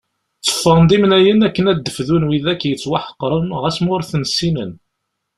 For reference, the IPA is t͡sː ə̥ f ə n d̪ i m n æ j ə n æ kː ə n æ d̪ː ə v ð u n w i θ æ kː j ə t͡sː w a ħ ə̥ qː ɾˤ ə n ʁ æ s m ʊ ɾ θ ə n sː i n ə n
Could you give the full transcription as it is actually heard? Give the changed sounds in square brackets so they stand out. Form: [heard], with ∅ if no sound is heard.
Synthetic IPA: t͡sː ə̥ f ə n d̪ i m n æ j ə n æ kː ə n æ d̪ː ə [f] ð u n w i [ð] æ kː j ə t͡sː w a ħ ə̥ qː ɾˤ ə n ʁ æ s m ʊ ɾ θ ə n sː i n ə n